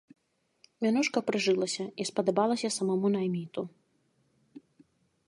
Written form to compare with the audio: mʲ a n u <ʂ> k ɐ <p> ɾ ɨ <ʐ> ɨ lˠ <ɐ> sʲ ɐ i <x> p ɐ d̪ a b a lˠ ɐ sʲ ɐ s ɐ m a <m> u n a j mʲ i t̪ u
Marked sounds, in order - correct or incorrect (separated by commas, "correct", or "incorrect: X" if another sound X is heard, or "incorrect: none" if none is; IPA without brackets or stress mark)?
correct, correct, correct, correct, incorrect: s, correct